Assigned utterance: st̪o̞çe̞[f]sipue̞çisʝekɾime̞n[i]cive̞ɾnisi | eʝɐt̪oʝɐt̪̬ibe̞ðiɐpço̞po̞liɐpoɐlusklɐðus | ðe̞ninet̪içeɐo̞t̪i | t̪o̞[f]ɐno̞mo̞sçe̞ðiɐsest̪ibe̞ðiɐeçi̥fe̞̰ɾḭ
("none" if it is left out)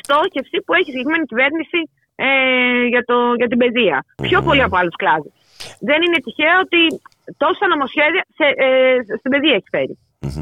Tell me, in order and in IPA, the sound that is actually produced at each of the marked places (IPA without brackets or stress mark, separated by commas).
f, i, s